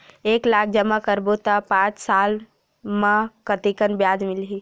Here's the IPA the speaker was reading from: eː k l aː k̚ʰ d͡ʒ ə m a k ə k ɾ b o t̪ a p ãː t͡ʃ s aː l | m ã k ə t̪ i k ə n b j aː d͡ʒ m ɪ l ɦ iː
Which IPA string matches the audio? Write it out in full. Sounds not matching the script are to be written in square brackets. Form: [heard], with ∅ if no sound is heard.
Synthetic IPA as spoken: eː k l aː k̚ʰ d͡ʒ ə m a k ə [∅] ɾ b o t̪ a p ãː t͡ʃ s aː l | m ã k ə t̪ i k ə n b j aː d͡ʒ m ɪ l ɦ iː